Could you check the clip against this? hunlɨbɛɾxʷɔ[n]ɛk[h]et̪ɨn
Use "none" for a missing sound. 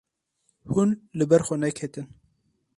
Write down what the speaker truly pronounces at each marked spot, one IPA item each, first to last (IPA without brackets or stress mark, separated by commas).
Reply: n, h